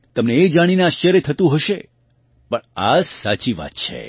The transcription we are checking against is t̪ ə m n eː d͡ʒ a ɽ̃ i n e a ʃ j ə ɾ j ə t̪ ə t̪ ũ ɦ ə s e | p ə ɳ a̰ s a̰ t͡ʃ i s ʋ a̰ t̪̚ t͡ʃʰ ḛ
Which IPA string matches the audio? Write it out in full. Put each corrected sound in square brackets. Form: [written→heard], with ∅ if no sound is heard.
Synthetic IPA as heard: t̪ ə m n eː d͡ʒ a ɽ̃ i n e a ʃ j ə ɾ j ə [t̪→t̪ʰ] ə t̪ ũ ɦ ə [s→ʃ] e | p ə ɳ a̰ s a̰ t͡ʃ i [s→∅] ʋ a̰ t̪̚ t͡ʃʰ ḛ

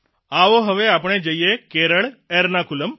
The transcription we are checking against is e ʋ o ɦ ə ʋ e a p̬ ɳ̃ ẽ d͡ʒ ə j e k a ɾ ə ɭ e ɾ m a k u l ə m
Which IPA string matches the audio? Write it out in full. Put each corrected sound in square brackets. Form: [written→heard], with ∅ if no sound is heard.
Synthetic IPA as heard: [e→a] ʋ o ɦ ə ʋ e a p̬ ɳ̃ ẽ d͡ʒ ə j e k [a→e] ɾ ə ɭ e ɾ [m→n] a k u l ə m

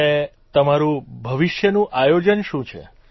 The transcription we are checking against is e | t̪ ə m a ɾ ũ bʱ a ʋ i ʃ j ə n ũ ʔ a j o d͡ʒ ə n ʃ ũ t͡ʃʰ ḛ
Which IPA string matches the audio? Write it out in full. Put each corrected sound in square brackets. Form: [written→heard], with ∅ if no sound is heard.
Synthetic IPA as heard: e | t̪ ə m a ɾ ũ bʱ [a→ə] ʋ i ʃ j ə n ũ ʔ a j o d͡ʒ ə n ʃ ũ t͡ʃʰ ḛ

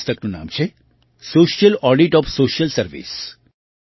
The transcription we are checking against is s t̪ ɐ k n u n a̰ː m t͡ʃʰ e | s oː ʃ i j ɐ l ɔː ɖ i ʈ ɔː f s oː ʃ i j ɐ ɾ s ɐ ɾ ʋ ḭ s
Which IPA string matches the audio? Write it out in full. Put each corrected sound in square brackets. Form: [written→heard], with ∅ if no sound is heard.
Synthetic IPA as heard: s t̪ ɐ k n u n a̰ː m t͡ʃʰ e | s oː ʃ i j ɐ l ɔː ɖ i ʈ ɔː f s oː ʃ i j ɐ [ɾ→l] s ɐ ɾ ʋ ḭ s

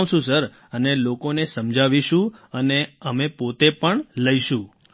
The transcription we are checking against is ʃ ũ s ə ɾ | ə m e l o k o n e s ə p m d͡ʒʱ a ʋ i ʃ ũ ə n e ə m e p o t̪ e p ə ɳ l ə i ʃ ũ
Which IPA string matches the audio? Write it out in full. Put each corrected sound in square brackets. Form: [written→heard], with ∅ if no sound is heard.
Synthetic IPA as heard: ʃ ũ s ə ɾ | ə [m→n] e l o k o n e s ə [p→∅] m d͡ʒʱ a ʋ i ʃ ũ ə n e ə m e p o t̪ e p ə ɳ l ə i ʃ ũ

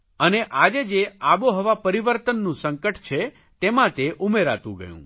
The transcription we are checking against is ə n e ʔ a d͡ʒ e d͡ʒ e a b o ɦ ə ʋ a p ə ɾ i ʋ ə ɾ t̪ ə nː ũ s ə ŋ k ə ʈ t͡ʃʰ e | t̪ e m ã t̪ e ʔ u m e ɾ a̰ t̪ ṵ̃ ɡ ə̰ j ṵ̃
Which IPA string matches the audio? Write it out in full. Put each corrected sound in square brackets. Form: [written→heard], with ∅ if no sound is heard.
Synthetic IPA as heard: ə n e ʔ a d͡ʒ e d͡ʒ e a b o ɦ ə ʋ a p ə ɾ i ʋ ə ɾ t̪ ə nː ũ s ə ŋ k ə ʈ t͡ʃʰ e | t̪ e m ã t̪ e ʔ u m e ɾ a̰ t̪ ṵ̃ ɡ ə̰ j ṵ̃

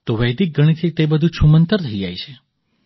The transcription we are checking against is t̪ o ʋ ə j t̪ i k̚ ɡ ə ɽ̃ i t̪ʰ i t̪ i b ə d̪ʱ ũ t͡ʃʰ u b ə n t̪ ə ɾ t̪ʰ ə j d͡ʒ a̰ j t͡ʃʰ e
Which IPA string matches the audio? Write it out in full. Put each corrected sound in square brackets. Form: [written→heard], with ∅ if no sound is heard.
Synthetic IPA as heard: t̪ o ʋ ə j [t̪→d̪] i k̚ ɡ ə ɽ̃ i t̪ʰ i t̪ [i→e] b ə d̪ʱ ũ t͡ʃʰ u [b→m] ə n t̪ ə ɾ t̪ʰ ə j d͡ʒ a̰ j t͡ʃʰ e

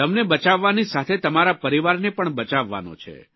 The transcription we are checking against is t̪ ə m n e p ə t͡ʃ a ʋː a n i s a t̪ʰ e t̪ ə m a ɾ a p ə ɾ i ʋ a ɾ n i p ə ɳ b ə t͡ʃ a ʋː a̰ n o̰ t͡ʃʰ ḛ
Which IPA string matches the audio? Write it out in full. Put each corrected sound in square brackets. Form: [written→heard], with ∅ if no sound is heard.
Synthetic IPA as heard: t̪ ə m n e [p→b] ə t͡ʃ a ʋː a n i s a t̪ʰ e t̪ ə m a ɾ a p ə ɾ i ʋ a ɾ n [i→e] p ə ɳ b ə t͡ʃ a ʋː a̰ n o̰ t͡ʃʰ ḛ

